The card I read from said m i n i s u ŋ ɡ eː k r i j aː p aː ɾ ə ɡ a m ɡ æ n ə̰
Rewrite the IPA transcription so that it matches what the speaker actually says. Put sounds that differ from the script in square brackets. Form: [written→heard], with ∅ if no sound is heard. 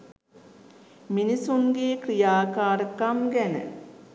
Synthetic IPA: m i n i s u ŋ ɡ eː k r i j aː [p→k] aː ɾ ə [ɡ→k] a m ɡ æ n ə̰